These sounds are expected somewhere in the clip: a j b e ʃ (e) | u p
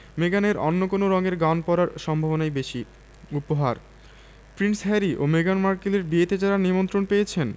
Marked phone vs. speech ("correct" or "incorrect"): incorrect